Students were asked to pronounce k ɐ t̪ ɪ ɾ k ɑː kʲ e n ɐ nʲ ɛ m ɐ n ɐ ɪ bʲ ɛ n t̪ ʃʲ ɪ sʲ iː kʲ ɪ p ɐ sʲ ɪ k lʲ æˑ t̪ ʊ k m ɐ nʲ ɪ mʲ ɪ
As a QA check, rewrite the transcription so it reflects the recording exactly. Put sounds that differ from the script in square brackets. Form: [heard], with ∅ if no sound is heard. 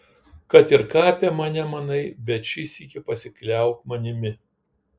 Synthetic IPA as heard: k ɐ t̪ ɪ ɾ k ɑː [pʲ] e [m] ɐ nʲ ɛ m ɐ n ɐ ɪ bʲ ɛ [∅] t̪ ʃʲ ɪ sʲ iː kʲ ɪ p ɐ sʲ ɪ k lʲ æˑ [∅] ʊ k m ɐ nʲ ɪ mʲ ɪ